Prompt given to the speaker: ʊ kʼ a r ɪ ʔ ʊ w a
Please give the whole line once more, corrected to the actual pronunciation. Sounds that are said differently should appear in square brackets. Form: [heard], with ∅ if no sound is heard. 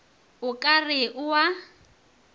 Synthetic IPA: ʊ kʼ a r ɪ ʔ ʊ w a